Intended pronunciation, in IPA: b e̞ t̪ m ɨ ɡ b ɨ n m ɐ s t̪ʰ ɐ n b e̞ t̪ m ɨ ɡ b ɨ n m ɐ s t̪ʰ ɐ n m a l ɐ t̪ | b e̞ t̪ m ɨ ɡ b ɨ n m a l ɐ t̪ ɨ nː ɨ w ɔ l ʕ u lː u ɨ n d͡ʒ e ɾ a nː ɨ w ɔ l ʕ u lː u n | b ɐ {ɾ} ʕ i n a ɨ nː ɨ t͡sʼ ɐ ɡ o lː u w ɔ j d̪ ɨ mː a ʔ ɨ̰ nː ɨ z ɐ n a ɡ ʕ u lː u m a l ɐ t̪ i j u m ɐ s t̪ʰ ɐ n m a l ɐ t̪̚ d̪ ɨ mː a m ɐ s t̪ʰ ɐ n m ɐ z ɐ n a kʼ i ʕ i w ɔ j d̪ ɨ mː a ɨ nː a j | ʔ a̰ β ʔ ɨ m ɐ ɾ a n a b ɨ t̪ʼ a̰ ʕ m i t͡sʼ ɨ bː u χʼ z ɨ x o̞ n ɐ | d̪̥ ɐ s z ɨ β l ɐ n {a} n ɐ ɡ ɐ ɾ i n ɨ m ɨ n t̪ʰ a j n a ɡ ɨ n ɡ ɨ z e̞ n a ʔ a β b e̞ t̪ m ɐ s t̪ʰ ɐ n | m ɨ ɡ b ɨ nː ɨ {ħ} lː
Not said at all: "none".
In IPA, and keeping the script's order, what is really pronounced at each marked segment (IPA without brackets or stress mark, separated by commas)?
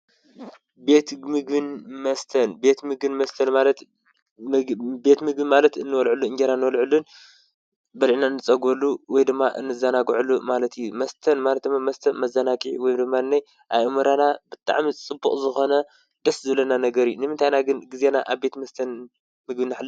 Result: l, a, ħ